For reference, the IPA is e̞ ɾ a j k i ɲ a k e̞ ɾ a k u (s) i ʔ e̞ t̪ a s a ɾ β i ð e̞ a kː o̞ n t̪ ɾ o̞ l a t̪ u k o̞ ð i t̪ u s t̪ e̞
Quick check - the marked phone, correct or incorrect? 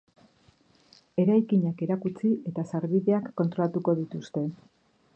incorrect